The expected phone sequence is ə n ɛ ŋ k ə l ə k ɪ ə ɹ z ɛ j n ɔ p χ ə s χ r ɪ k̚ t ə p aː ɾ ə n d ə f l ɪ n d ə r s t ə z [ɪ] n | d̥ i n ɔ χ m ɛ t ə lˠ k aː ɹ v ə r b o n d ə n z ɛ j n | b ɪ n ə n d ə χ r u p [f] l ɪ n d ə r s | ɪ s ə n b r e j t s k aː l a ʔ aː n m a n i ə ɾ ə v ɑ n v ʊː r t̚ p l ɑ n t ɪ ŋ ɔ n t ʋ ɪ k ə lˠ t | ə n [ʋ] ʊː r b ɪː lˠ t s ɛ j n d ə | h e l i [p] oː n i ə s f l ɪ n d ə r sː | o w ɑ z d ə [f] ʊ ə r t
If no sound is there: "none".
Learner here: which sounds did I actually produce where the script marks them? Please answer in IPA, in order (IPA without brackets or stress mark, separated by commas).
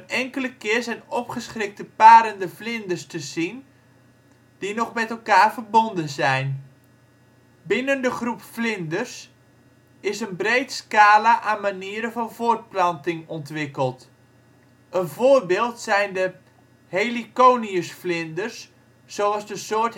i, f, v, k, s